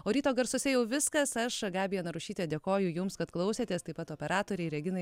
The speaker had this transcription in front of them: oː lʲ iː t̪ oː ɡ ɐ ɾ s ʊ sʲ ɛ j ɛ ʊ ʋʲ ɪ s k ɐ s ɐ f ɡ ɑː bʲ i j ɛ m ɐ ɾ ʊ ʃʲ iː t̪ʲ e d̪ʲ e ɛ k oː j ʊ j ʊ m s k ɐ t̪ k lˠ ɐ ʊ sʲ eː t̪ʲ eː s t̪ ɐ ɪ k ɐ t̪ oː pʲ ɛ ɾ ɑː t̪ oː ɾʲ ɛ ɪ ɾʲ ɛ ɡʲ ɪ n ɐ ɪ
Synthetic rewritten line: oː ɾʲ iː t̪ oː ɡ ɐ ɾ s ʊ sʲ ɛ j ɛ ʊ ʋʲ ɪ s k ɐ s ɐ ʃ ɡ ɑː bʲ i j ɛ n ɐ ɾ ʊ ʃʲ iː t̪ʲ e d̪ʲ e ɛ k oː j ʊ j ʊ m s k ɐ t̪ k lˠ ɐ ʊ sʲ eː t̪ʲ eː s t̪ ɐ ɪ p ɐ t̪ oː pʲ ɛ ɾ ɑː t̪ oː ɾʲ ɛ ɪ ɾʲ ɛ ɡʲ ɪ n ɐ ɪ